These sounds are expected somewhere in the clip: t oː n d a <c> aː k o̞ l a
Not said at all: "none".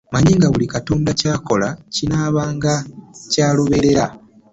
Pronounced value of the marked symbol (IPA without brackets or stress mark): c